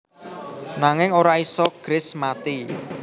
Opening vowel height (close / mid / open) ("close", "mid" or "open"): open